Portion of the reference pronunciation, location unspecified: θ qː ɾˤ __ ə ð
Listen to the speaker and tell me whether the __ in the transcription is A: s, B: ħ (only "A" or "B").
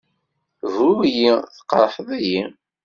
B